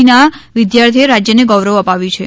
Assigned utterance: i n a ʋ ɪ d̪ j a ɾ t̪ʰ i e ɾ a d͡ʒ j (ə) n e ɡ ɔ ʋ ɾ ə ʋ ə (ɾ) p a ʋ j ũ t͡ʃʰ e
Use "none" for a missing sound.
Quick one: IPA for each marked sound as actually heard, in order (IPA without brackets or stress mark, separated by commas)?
ə, none